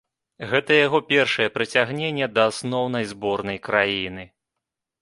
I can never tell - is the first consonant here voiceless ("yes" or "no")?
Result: no